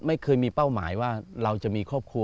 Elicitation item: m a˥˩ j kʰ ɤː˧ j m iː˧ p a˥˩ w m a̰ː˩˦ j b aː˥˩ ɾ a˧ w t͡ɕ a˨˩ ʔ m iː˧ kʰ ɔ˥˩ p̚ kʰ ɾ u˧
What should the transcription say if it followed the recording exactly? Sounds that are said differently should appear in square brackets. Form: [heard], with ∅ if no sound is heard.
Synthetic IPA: m a˥˩ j kʰ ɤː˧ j m iː˧ p a˥˩ w m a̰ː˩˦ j [w] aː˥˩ ɾ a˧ w t͡ɕ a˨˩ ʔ m iː˧ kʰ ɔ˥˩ p̚ kʰ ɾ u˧